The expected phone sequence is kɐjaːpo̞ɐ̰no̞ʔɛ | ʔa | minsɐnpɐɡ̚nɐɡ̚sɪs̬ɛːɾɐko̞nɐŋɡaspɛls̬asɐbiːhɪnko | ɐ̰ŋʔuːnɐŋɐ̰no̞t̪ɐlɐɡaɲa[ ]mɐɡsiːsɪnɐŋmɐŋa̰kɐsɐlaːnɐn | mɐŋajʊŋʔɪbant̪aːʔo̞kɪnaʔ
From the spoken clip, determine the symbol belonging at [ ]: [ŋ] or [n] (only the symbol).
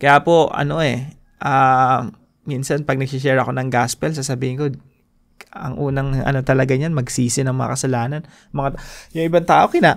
n